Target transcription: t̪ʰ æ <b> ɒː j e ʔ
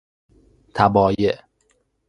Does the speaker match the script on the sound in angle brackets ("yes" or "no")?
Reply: yes